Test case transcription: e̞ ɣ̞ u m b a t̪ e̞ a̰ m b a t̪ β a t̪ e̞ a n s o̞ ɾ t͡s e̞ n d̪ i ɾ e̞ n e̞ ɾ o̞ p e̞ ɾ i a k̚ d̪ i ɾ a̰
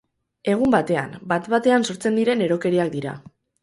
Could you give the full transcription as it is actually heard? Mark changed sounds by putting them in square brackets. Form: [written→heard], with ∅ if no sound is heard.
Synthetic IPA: e̞ ɣ̞ u m b a t̪ e̞ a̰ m b a t̪ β a t̪ e̞ a n s o̞ ɾ t͡s e̞ n d̪ i ɾ e̞ n e̞ ɾ o̞ [p→k] e̞ ɾ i a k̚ d̪ i ɾ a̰